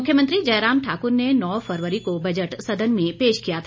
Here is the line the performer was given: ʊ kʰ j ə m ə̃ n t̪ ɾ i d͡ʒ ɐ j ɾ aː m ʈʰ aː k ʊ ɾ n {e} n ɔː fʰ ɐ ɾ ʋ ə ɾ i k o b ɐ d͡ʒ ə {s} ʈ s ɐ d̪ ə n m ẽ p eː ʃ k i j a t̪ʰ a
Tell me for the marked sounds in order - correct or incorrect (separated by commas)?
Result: correct, incorrect